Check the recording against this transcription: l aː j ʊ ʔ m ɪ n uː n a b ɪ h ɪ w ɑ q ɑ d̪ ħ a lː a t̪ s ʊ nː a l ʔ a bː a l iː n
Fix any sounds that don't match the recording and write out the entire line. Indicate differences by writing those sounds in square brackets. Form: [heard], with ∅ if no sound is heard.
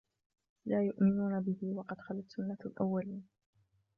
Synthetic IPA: l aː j ʊ ʔ m ɪ n uː n a b ɪ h ɪ w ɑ q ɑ d̪ [x] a [l] a t̪ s ʊ nː a l ʔ a [wː] a l iː n